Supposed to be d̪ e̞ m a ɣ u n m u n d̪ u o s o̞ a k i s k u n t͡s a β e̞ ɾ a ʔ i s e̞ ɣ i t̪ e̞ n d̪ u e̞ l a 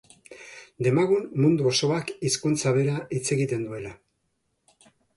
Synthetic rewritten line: d̪ e̞ m a ɣ u n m u n d̪ u o s o̞ a k i s k u n t͡s a β e̞ ɾ a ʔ i t͡s e̞ ɣ i t̪ e̞ n d̪ u e̞ l a